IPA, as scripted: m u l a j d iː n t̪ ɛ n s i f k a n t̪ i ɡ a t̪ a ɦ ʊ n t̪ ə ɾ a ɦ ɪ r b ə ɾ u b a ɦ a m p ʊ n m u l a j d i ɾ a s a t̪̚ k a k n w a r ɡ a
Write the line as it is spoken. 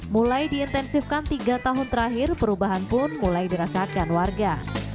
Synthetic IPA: m u l a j d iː n t̪ ɛ n s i f k a n t̪ i ɡ a t̪ a ɦ ʊ n t̪ ə ɾ a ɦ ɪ r p ə ɾ u b a ɦ a n p ʊ n m u l a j d i ɾ a s a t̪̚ k a n w a r ɡ a